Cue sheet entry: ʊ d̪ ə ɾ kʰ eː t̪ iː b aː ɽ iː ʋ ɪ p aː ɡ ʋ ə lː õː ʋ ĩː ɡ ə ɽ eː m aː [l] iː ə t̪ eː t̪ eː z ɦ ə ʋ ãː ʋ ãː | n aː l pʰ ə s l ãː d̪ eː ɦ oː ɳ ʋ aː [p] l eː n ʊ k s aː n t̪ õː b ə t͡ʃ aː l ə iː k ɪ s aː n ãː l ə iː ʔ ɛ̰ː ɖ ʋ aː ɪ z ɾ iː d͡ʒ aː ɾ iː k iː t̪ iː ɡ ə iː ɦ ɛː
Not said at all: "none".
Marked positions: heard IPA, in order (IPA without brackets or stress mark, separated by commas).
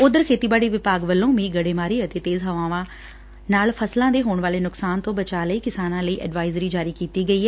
ɾ, none